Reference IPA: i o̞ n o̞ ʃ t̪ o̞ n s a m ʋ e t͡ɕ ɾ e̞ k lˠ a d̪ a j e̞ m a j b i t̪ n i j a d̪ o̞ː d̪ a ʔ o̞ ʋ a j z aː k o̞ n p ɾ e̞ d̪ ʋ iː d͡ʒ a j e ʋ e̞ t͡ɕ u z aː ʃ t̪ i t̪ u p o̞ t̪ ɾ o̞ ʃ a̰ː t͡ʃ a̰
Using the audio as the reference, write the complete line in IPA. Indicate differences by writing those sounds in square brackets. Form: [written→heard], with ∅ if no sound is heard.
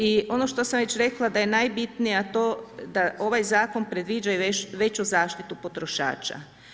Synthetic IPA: i o̞ n o̞ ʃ t̪ o̞ [n→∅] s a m ʋ e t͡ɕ ɾ e̞ k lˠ a d̪ a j e̞ [m→n] a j b i t̪ n i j a [d̪→t̪] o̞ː d̪ a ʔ o̞ ʋ a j z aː k o̞ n p ɾ e̞ d̪ ʋ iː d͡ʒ a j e ʋ e̞ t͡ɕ u z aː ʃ t̪ i t̪ u p o̞ t̪ ɾ o̞ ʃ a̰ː t͡ʃ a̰

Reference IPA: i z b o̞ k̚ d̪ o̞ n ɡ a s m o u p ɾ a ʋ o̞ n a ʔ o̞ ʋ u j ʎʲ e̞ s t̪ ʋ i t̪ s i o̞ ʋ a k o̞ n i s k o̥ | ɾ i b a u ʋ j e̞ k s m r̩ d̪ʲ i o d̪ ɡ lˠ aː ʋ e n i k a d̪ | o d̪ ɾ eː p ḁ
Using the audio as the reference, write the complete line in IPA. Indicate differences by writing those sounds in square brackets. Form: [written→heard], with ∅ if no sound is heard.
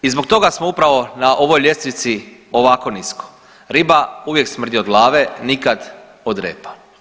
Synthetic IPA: i z b o̞ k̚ [d̪→t̪] o̞ [n→∅] ɡ a s m o u p ɾ a ʋ o̞ n a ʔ o̞ ʋ [u→o] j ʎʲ e̞ s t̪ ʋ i t̪ s i o̞ ʋ a k o̞ n i s k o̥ | ɾ i b a u ʋ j e̞ k s m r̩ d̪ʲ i o d̪ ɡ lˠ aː ʋ e n i k a d̪ | o d̪ ɾ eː p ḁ

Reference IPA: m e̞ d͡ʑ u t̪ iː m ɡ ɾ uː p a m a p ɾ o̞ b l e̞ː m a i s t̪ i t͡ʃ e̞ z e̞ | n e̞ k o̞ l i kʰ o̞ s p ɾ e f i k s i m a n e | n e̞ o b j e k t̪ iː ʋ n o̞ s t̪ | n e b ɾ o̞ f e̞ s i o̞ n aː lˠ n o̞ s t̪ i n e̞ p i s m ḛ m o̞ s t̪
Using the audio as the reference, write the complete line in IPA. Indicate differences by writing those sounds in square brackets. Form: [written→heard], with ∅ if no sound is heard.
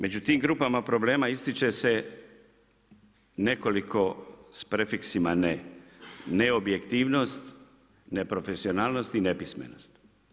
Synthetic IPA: m e̞ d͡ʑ u t̪ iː m ɡ ɾ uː p a m a p ɾ o̞ b l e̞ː m a i s t̪ i t͡ʃ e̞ [z→s] e̞ | n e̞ k o̞ l i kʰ o̞ s p ɾ e f i k s i m a n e | n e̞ o b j e k t̪ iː ʋ n o̞ s t̪ | n e [b→p] ɾ o̞ f e̞ s i o̞ n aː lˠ n o̞ s t̪ i n e̞ p i s m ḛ [m→n] o̞ s t̪

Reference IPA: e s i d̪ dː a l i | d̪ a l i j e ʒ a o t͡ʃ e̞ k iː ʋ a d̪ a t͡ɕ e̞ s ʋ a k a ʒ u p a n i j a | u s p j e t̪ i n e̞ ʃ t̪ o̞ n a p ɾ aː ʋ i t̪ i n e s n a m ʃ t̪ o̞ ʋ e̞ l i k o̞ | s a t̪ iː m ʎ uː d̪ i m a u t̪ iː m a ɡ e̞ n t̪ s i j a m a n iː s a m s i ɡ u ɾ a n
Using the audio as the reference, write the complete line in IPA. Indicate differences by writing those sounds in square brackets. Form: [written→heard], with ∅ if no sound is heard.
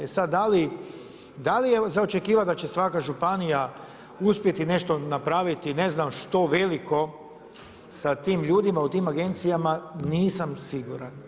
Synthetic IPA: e s [i→a] d̪ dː a l i | d̪ a l i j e [ʒ→z] a o t͡ʃ e̞ k iː ʋ a d̪ a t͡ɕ e̞ s ʋ a k a ʒ u p a n i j a | u s p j e t̪ i n e̞ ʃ t̪ o̞ n a p ɾ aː ʋ i t̪ i n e [s→z] n a m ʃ t̪ o̞ ʋ e̞ l i k o̞ | s a t̪ iː m ʎ uː d̪ i m a u t̪ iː m a ɡ e̞ n t̪ s i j a m a n iː s a m s i ɡ u ɾ a n

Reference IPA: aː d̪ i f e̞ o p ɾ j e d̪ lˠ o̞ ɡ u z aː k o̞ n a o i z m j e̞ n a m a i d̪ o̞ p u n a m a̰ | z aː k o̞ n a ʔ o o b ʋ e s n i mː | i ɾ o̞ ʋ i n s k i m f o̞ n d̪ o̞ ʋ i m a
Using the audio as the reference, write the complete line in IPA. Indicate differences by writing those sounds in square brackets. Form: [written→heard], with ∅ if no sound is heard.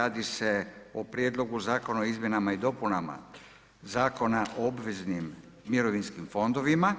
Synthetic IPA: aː d̪ i [f→s] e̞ o p ɾ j e d̪ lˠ o̞ ɡ u z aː k o̞ n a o i z m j e̞ n a m a i d̪ o̞ p u n a m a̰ | z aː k o̞ n a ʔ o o b ʋ e [s→z] n i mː | i ɾ o̞ ʋ i n s k i m f o̞ n d̪ o̞ ʋ i m a

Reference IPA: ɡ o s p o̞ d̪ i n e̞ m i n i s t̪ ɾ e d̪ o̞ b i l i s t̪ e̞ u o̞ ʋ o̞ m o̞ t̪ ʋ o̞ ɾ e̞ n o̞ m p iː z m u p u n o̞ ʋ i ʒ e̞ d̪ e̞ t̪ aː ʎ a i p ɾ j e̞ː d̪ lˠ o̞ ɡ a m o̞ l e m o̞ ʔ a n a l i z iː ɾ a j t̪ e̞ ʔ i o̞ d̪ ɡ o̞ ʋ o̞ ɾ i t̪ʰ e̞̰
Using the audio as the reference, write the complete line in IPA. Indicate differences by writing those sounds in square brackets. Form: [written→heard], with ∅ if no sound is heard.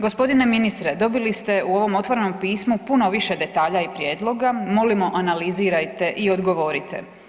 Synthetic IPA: ɡ o s p o̞ d̪ i n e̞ m i n i s t̪ ɾ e d̪ o̞ b i l i s t̪ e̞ u o̞ ʋ o̞ m o̞ t̪ ʋ o̞ ɾ e̞ n o̞ m p iː [z→s] m u p u n o̞ ʋ i [ʒ→ʃ] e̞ d̪ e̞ t̪ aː ʎ a i p ɾ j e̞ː d̪ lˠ o̞ ɡ a m o̞ l [e→i] m o̞ ʔ a n a l i z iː ɾ a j t̪ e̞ ʔ i o̞ d̪ ɡ o̞ ʋ o̞ ɾ i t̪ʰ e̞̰

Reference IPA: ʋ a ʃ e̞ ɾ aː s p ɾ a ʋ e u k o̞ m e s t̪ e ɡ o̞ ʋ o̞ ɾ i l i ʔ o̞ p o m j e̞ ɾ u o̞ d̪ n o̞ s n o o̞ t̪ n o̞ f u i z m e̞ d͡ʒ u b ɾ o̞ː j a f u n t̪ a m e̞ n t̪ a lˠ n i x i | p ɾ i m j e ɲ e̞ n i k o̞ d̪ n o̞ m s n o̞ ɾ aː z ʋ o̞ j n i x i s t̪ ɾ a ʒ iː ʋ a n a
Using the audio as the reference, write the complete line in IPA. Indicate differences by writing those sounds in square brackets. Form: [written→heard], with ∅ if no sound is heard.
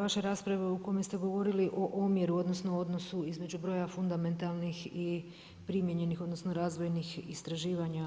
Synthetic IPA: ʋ a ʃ e̞ ɾ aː s p ɾ a ʋ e u k o̞ m e s t̪ e ɡ o̞ ʋ o̞ ɾ i l i ʔ o̞ [p→ʔ] o m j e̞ ɾ u o̞ d̪ n o̞ s n o o̞ [t̪→d̪] n o̞ [f→s] u i z m e̞ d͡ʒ u b ɾ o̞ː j a f u n [t̪→d̪] a m e̞ n t̪ a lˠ n i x i | p ɾ i m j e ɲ e̞ n i [k→x] o̞ d̪ n o̞ [m→∅] s n o̞ ɾ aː z ʋ o̞ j n i x i s t̪ ɾ a ʒ iː ʋ a [n→ɲ] a

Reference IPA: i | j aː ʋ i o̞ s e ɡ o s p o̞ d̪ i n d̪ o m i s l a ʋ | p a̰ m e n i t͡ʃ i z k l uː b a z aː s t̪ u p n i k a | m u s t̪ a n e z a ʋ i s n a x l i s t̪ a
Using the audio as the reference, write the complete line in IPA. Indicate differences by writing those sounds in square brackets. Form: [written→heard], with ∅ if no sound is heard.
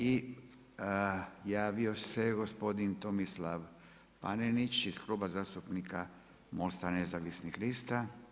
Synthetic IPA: i | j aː ʋ i o̞ s e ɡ o s p o̞ d̪ i n [d̪→t̪] o m i s l a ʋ | p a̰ [m→n] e n i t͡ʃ i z k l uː b a z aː s t̪ u p n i k a | m [u→o] s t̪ a n e z a ʋ i s n [a→i] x l i s t̪ a

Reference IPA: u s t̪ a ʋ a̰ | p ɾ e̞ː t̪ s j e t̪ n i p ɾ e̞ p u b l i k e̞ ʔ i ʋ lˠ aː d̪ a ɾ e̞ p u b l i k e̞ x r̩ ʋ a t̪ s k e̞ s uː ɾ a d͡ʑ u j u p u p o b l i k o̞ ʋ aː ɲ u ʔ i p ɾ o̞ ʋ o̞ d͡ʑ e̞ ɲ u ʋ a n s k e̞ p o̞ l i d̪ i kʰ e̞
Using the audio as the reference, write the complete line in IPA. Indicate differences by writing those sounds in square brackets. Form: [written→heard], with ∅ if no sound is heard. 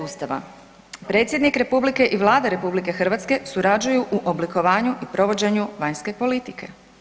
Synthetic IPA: u s t̪ a ʋ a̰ | p ɾ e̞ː t̪ s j e [t̪→d̪] n i [p→k] ɾ e̞ p u b l i k e̞ ʔ i ʋ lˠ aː d̪ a ɾ e̞ p u b l i k e̞ x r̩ ʋ a t̪ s k e̞ s [uː→u] ɾ a d͡ʑ u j u [p→ʔ] u [p→ʔ] o b l i k o̞ ʋ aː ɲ u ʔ i p ɾ o̞ ʋ o̞ d͡ʑ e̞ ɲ u ʋ a [n→ɲ] s k e̞ p o̞ l i [d̪→t̪] i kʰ e̞

